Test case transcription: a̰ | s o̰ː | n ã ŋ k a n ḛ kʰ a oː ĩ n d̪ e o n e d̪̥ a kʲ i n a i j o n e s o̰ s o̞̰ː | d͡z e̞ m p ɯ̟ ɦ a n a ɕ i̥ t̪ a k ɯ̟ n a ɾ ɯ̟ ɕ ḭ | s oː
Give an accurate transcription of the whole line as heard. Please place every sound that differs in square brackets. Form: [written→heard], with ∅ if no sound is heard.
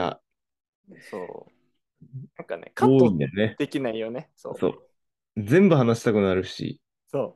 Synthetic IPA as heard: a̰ | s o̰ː | n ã ŋ k a n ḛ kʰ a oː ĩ n d̪ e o n e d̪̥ [a→e] kʲ i n a i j o n e s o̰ s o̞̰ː | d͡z [e̞→ẽ̞] m [p→b] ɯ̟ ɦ a n a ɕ i̥ t̪ a k ɯ̟ n a ɾ ɯ̟ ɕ ḭ | s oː